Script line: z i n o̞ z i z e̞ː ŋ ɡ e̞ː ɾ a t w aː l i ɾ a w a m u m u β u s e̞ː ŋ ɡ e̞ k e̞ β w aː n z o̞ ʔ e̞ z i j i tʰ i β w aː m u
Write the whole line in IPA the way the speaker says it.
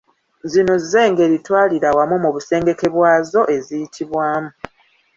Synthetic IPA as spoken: z i n o̞ z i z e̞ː ŋ ɡ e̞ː ɾ i t w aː l i ɾ a w a m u m u β u s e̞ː ŋ ɡ e̞ k e̞ β w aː z o̞ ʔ e̞ z i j i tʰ i β w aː m u

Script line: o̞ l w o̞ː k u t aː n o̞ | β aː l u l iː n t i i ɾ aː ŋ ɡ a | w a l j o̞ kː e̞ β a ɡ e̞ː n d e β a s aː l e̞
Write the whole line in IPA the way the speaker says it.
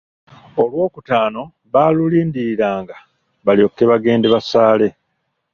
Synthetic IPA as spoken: o̞ l w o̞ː k u t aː n o̞ | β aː l u l iː n d i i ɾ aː ŋ ɡ a | β a l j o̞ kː e̞ β a ɡ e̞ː n d e β a s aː l e̞

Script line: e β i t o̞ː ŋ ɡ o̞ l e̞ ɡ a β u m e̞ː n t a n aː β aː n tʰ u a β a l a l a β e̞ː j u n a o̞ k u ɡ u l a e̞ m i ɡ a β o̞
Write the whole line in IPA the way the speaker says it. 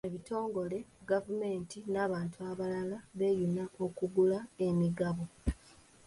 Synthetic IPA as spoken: e β i t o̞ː ŋ ɡ o̞ l e̞ ɡ a v u m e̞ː n t i n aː β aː n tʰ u a β a l a l a β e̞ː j u n a o̞ k u ɡ u l a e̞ m i ɡ a β o̞

